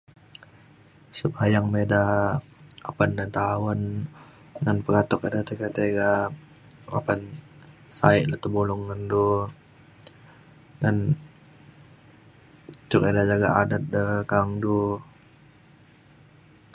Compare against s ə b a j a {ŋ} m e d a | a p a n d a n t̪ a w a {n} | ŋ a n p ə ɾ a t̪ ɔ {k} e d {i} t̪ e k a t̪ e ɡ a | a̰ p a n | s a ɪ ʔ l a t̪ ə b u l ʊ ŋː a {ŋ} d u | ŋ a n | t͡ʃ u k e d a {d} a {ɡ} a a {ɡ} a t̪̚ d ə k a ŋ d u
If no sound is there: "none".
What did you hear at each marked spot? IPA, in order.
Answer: ŋ, n, k, a, n, d͡ʒ, ɡ, d

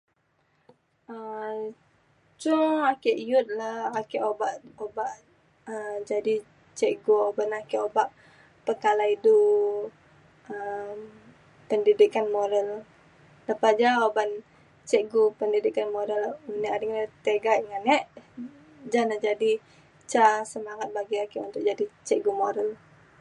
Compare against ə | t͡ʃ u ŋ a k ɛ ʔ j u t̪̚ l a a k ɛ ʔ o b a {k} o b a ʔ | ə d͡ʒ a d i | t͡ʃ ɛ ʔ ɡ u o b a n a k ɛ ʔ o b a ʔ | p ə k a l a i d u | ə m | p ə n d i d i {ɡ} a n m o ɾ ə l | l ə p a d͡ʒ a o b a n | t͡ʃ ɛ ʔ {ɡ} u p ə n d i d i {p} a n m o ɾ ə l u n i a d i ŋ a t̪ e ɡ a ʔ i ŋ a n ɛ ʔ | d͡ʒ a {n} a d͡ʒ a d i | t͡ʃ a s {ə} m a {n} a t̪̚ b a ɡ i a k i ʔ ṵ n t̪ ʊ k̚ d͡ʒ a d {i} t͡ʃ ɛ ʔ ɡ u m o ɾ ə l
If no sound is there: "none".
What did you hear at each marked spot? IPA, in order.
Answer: ʔ, k, ɡ, k, n, ə, ŋ, i

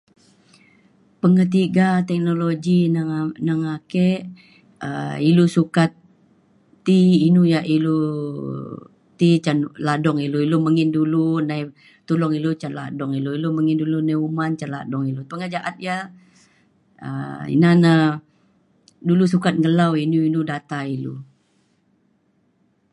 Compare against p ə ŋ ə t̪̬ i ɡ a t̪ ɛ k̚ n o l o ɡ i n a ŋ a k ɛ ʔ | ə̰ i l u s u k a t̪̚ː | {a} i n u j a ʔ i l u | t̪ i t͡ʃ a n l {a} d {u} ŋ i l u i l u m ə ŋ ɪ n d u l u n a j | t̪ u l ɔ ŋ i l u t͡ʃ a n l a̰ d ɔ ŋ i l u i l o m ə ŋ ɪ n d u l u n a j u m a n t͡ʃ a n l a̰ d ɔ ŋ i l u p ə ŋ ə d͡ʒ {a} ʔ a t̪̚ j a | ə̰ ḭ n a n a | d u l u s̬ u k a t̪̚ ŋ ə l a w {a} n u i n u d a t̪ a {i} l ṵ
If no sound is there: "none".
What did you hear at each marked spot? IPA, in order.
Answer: i, a, ɔ, a, i, i

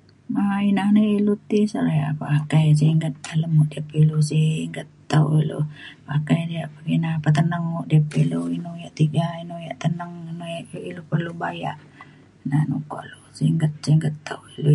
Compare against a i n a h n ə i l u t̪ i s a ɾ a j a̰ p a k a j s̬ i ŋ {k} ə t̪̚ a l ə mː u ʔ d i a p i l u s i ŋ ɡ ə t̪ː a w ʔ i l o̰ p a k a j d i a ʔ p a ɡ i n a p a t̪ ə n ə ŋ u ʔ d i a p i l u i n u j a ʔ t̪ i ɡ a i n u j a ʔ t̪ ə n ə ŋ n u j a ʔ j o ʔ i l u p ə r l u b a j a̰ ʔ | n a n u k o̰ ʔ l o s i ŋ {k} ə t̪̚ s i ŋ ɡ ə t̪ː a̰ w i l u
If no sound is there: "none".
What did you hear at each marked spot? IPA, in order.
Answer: ɡ, ɡ

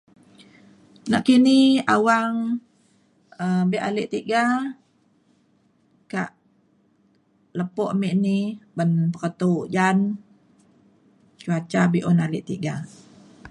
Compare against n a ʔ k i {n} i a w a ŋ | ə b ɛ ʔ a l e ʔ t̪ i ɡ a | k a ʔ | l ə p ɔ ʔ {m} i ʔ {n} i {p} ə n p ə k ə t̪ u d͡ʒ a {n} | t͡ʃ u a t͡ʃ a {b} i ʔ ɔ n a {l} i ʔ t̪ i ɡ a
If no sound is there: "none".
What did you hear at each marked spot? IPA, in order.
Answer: n, m, n, b, n, b, l

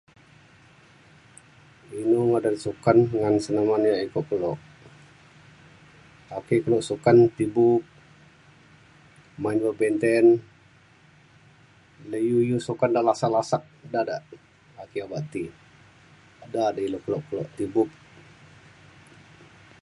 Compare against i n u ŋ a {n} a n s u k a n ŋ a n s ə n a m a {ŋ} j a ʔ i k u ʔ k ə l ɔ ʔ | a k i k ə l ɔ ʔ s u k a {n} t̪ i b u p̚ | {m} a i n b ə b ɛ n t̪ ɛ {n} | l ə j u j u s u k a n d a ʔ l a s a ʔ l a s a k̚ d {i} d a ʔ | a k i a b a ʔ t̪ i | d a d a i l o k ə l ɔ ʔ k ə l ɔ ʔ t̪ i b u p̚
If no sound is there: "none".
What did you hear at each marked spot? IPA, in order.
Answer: d, n, n, m, n, a

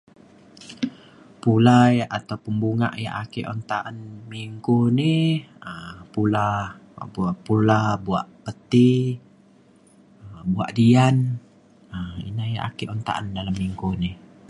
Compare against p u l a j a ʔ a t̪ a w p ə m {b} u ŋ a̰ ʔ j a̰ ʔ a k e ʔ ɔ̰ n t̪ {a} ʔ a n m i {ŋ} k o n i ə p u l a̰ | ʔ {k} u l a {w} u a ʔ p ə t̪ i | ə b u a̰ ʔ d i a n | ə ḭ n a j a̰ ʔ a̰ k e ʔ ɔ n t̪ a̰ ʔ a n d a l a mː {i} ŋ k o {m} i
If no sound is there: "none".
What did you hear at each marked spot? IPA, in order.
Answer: b, a, ŋ, p, b, i, n

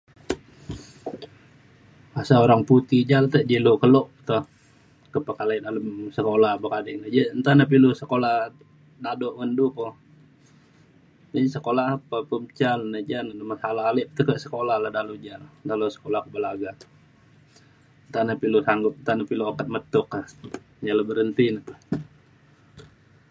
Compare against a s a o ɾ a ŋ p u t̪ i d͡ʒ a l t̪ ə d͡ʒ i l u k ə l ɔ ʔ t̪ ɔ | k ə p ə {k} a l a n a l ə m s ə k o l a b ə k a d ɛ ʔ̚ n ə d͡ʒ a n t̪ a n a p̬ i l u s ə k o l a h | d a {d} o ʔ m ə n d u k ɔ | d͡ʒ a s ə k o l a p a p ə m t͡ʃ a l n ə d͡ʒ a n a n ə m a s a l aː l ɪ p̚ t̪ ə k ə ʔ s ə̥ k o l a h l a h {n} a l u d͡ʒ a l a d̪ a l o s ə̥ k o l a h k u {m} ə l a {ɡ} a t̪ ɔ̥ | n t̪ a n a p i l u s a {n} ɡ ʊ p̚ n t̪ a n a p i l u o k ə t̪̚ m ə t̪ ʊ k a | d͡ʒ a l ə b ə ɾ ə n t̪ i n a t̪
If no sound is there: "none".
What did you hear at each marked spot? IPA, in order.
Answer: k, d, d, b, ɡ, ŋ

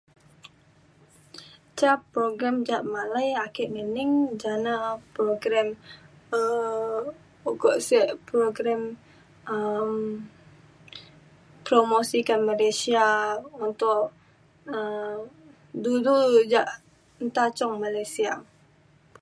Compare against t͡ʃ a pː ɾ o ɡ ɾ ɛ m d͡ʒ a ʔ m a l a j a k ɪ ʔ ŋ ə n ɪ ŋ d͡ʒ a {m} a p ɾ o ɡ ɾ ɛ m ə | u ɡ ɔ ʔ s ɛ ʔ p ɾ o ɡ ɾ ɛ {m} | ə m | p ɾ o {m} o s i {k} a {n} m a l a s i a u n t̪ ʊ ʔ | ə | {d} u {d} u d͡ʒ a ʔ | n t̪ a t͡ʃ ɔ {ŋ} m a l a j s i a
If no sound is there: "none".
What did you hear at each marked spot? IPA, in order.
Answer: n, m, m, k, n, d, d, ŋ

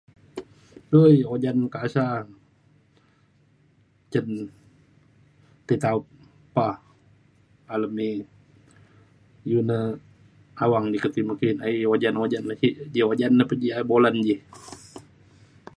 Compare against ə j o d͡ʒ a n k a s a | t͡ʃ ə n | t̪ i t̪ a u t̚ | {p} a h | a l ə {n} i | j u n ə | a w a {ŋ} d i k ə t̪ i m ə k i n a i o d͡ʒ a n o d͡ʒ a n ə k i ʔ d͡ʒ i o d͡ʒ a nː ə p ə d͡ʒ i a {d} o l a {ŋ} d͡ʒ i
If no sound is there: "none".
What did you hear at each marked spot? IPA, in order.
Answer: p, m, ŋ, b, n

